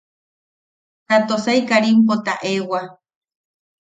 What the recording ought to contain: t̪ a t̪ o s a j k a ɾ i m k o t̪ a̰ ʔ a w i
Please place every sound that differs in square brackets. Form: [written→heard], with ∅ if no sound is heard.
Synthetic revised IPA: t̪ a t̪ o s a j k a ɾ i m [k→p] o t̪ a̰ ʔ [a→e] w [i→a]